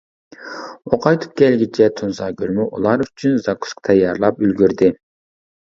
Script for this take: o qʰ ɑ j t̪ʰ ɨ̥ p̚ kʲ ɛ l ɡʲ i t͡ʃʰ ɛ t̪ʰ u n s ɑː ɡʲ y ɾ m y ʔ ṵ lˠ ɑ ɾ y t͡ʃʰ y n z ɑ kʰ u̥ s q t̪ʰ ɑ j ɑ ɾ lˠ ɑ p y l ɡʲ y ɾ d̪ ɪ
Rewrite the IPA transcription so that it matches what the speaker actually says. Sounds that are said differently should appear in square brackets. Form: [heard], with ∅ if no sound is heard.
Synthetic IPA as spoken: o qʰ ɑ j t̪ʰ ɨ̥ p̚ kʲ ɛ l ɡʲ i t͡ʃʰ ɛ t̪ʰ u n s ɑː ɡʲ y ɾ m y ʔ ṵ lˠ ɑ ɾ y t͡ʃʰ y n z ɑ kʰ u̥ s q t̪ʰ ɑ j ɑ ɾ lˠ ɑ p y l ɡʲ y ɾ d̪ ɪ

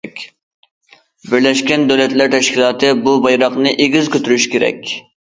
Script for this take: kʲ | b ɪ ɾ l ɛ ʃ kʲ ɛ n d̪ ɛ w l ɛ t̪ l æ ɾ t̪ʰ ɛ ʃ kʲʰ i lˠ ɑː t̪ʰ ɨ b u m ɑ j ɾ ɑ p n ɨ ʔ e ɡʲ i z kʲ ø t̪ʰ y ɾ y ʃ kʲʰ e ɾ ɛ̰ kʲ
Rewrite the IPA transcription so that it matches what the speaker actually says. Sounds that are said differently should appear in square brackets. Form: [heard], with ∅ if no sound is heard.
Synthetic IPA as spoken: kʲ | b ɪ ɾ l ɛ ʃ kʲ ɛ n d̪ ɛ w l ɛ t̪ l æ ɾ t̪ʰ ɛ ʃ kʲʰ i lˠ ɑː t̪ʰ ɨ b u [b] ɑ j ɾ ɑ [q] n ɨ ʔ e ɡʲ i z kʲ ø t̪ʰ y ɾ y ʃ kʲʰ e ɾ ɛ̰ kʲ

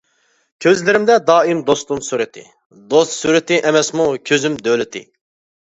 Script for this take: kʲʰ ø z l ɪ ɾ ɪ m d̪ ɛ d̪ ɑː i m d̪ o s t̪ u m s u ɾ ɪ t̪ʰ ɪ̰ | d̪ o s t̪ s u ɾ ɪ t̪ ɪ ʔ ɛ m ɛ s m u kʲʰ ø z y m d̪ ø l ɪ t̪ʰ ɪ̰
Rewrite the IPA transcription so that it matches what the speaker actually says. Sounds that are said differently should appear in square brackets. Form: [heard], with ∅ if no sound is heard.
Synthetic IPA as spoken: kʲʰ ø z l ɪ ɾ ɪ m d̪ ɛ d̪ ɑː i m d̪ o s t̪ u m s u ɾ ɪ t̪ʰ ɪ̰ | d̪ o s t̪ s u ɾ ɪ t̪ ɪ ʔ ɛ m ɛ s m u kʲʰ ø z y m d̪ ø l ɪ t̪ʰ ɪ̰

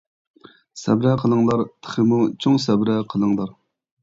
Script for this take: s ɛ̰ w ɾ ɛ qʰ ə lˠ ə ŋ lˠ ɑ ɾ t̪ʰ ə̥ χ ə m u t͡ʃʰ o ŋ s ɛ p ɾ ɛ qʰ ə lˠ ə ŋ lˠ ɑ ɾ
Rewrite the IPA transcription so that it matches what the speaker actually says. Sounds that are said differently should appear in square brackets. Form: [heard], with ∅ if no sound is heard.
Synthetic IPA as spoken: s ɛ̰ [b] ɾ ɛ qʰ ə lˠ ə ŋ lˠ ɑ ɾ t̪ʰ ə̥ χ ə m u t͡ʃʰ o ŋ s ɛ [b] ɾ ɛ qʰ ə lˠ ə ŋ lˠ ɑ ɾ

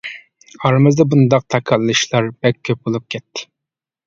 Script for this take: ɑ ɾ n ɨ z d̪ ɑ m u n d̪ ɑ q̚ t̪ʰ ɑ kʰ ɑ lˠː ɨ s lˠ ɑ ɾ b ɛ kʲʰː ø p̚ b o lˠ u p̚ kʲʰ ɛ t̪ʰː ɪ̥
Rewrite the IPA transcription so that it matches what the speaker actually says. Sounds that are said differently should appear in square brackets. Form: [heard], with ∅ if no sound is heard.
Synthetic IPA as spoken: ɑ ɾ [m] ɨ z d̪ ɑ [b] u n d̪ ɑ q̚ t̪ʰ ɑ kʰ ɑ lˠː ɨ [ʃ] lˠ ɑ ɾ b ɛ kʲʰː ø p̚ b o lˠ u p̚ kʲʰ ɛ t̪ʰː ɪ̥

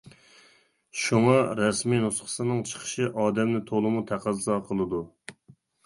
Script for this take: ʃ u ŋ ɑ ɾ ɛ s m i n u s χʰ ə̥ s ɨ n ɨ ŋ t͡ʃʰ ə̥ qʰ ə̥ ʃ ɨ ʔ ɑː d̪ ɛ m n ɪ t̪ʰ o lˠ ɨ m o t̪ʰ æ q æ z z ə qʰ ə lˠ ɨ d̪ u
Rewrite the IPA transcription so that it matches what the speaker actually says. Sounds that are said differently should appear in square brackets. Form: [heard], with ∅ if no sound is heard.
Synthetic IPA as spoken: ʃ u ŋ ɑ ɾ ɛ s m i n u s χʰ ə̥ s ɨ n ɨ ŋ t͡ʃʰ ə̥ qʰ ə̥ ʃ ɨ ʔ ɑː d̪ ɛ m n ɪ t̪ʰ o lˠ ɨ m [u] t̪ʰ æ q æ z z [ɑ] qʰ ə lˠ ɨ d̪ u

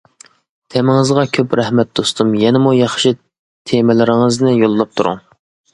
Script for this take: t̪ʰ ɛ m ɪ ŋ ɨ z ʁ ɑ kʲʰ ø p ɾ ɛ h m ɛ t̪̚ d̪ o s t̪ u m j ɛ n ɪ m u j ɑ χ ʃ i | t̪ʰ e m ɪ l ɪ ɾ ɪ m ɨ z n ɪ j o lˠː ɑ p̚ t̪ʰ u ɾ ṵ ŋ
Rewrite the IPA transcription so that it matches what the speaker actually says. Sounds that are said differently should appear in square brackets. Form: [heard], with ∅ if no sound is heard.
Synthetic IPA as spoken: t̪ʰ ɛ m ɪ ŋ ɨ z ʁ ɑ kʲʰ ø p ɾ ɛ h m ɛ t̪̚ d̪ o s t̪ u m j ɛ n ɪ m u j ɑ χ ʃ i | t̪ʰ e m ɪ l ɪ ɾ ɪ [ŋ] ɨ z n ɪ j o lˠː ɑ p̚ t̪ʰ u ɾ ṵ ŋ

